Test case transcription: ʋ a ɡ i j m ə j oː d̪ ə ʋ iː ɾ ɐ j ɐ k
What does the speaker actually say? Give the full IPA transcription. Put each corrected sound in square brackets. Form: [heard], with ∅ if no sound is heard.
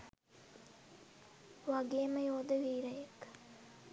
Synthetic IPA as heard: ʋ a ɡ [e] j m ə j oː d̪ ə ʋ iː ɾ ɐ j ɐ k